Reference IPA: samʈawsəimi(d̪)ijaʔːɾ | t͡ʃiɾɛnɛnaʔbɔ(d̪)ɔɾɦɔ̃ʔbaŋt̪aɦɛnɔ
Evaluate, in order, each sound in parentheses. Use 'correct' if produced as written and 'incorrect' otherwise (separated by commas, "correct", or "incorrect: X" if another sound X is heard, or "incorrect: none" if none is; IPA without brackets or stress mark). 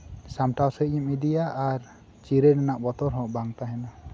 correct, incorrect: t̪